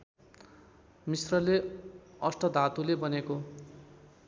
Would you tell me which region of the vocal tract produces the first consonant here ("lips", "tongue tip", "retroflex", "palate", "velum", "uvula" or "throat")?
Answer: lips